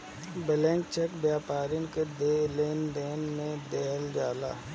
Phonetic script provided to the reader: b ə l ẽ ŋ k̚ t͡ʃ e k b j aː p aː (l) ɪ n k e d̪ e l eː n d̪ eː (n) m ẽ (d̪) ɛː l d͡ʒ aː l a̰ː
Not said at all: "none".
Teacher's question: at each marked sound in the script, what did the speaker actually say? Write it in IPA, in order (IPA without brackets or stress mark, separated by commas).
ɾ, n, d̪